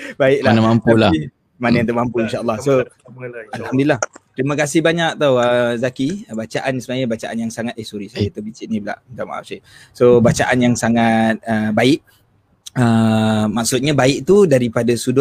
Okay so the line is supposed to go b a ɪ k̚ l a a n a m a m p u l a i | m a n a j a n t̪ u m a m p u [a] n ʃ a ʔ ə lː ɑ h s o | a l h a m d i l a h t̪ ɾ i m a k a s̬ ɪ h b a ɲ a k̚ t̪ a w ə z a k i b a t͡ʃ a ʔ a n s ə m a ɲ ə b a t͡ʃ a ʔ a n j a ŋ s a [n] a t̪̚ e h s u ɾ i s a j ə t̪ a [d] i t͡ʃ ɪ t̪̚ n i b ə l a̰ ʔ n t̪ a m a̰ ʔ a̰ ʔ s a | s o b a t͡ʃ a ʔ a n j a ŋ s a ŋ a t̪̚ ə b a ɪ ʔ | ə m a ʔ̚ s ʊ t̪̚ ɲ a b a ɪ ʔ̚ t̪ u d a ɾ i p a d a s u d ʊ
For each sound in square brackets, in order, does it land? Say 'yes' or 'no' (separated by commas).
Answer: no, no, no